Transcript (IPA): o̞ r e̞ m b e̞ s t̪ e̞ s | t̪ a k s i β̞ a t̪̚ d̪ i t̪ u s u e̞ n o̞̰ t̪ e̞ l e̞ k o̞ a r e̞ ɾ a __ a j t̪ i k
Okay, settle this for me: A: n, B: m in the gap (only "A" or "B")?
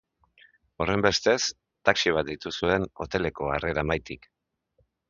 B